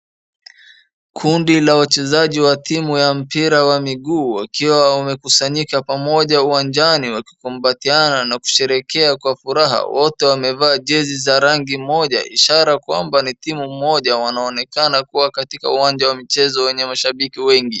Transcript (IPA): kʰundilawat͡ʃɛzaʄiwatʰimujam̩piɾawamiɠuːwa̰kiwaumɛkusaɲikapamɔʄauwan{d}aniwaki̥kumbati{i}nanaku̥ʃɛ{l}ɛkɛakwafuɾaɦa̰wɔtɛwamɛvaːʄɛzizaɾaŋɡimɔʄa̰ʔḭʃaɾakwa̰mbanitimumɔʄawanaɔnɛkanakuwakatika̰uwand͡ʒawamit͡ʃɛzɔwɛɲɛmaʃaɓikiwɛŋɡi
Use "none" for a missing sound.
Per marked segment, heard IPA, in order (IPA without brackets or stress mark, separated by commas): d͡ʒ, a, ɾ